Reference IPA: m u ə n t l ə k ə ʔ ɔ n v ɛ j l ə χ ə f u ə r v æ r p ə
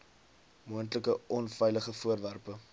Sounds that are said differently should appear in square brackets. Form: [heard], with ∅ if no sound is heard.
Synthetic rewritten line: m u ə n t l ə k ə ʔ ɔ n [f] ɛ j l ə χ ə f u ə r v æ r p ə